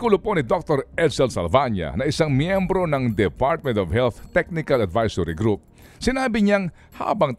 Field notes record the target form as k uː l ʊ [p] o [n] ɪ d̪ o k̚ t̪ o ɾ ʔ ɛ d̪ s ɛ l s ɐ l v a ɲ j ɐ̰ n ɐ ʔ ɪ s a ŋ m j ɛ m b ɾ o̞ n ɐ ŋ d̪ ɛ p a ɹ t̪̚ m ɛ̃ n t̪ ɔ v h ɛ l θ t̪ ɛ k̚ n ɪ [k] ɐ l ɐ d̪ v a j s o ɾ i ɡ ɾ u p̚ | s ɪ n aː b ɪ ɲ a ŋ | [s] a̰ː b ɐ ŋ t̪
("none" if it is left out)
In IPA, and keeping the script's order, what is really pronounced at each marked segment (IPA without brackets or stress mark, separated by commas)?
p, n, k, h